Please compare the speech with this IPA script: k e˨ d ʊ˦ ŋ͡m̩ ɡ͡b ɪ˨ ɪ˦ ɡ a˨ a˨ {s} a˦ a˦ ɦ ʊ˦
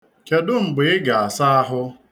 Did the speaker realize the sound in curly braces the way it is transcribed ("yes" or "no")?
yes